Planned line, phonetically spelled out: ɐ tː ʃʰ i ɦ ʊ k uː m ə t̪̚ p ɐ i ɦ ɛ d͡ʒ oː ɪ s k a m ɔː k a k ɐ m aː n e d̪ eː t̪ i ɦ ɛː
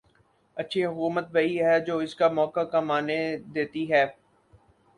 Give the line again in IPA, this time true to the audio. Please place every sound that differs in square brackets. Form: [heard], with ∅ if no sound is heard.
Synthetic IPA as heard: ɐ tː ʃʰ i ɦ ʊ k uː m ə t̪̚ [b] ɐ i ɦ ɛ d͡ʒ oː ɪ s k a m ɔː k a k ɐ m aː n e d̪ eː t̪ i ɦ ɛː